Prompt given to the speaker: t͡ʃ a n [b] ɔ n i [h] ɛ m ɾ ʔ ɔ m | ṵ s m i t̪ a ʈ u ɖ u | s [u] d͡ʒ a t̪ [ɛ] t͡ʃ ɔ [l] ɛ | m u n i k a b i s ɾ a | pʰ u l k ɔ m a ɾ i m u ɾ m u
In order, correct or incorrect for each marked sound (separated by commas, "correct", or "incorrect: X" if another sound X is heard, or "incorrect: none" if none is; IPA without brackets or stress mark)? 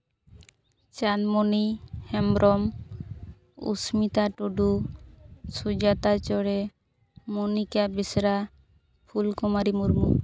incorrect: m, correct, correct, incorrect: a, incorrect: ɽ